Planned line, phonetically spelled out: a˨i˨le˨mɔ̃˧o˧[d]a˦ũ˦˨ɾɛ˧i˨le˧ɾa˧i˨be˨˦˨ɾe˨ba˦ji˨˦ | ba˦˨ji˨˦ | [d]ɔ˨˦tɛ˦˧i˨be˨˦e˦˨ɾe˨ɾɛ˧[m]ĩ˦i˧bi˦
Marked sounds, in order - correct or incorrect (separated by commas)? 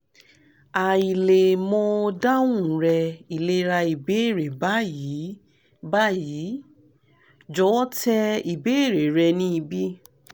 correct, incorrect, incorrect